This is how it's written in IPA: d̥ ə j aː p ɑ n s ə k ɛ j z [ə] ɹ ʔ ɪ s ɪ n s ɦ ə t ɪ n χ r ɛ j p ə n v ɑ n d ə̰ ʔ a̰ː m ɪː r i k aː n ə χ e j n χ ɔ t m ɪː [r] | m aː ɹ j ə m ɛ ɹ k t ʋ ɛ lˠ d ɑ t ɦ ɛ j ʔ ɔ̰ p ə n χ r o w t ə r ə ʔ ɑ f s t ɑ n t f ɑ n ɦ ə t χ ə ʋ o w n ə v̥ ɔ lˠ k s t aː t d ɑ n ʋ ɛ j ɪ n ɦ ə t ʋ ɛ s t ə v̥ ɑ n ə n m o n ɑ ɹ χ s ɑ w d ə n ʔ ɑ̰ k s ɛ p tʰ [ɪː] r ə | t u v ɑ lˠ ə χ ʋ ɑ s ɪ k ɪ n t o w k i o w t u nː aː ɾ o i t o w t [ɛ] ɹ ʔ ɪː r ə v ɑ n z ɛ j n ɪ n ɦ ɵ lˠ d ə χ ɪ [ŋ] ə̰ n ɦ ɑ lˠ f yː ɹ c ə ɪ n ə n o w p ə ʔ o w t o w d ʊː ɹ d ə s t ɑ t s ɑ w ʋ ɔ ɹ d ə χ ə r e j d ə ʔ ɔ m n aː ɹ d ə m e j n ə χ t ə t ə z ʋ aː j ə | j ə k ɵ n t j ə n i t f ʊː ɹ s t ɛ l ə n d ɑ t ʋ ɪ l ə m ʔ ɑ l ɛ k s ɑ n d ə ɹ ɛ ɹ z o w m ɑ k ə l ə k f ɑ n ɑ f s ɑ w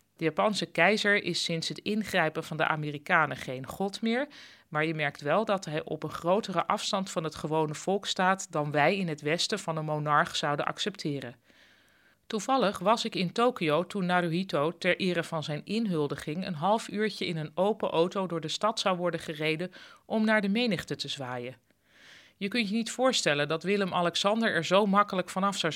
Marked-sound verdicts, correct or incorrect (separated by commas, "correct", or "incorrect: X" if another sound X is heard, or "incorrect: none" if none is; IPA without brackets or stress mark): correct, incorrect: ɹ, correct, correct, correct